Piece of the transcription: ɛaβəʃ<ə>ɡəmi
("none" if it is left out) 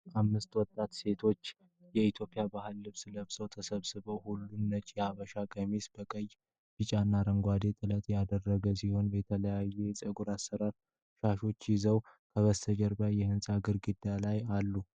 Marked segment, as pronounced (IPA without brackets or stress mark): a